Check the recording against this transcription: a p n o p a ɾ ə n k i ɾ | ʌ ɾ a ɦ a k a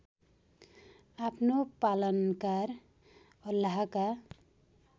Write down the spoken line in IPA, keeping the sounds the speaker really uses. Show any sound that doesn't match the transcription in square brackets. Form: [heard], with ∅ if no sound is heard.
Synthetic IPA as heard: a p n o p a [l] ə n k [a] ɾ | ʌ [l] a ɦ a k a